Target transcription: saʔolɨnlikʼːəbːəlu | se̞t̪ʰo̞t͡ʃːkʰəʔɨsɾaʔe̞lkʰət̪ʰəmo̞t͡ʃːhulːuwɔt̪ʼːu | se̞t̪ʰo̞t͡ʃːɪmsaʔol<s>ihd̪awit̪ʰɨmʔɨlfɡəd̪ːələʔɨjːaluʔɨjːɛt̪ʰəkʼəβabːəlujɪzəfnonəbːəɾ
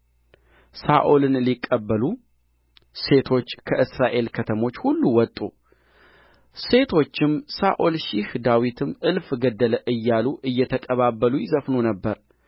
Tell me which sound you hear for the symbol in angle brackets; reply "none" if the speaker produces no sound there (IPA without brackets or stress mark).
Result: ʃ